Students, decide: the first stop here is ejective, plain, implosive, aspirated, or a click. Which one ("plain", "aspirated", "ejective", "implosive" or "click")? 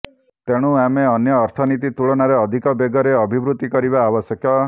plain